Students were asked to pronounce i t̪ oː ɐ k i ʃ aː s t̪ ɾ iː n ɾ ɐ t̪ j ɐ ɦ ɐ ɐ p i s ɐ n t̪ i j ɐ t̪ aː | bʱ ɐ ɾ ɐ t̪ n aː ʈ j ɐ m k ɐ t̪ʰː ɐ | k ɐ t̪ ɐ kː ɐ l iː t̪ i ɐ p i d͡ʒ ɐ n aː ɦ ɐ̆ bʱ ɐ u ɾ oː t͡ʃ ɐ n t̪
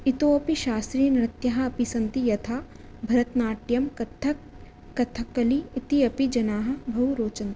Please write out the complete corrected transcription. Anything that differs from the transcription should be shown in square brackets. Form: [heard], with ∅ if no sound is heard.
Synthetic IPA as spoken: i t̪ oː ɐ [p] i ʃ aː s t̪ ɾ iː n ɾ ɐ t̪ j ɐ ɦ ɐ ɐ p i s ɐ n t̪ i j ɐ [t̪ʰ] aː | bʱ ɐ ɾ ɐ t̪ n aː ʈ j ɐ m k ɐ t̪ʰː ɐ | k ɐ [t̪ʰ] ɐ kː ɐ l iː t̪ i ɐ p i d͡ʒ ɐ n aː ɦ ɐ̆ bʱ ɐ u ɾ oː t͡ʃ ɐ n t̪